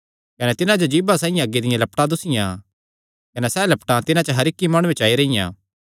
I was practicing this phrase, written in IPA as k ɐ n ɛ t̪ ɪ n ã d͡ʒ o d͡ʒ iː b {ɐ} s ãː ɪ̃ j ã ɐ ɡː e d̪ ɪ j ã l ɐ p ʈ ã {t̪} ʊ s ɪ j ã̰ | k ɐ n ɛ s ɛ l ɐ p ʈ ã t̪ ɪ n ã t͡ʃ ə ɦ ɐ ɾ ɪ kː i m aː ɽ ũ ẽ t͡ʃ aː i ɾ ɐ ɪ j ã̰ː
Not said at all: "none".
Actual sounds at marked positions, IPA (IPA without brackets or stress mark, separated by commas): a, d̪